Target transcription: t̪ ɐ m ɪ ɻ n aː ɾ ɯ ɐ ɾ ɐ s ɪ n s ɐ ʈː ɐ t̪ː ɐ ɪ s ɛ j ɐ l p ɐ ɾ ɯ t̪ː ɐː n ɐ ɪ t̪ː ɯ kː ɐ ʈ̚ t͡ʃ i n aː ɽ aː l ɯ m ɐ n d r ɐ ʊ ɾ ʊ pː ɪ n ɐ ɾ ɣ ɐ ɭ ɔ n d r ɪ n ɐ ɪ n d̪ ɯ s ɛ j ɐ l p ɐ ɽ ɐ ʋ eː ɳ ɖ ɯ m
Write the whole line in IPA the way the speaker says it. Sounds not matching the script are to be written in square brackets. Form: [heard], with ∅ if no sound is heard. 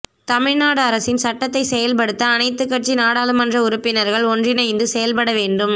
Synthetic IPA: t̪ ɐ m ɪ ɻ n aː [ɽ] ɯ ɐ ɾ ɐ s ɪ n s ɐ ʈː ɐ t̪ː ɐ ɪ s ɛ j ɐ l p ɐ [ɽ] ɯ t̪ː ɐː n ɐ ɪ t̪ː ɯ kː ɐ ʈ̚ t͡ʃ i n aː ɽ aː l ɯ m ɐ n d r ɐ ʊ ɾ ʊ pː ɪ n ɐ ɾ ɣ ɐ ɭ ɔ n d r ɪ n ɐ ɪ n d̪ ɯ s ɛ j ɐ l p ɐ ɽ ɐ ʋ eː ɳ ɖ ɯ m